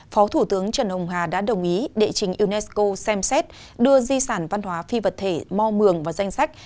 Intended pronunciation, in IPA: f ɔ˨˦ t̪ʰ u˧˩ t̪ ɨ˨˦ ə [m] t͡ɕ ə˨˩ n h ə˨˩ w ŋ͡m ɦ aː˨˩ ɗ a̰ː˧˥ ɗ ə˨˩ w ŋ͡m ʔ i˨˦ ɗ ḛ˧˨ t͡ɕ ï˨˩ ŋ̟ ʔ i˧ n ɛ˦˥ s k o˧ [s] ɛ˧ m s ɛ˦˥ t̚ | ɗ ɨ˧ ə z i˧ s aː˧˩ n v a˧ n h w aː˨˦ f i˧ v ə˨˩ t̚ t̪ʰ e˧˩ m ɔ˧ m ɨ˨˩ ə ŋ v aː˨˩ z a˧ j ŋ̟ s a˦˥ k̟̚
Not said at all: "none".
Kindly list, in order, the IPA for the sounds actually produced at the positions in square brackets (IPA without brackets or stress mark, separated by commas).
ŋ, s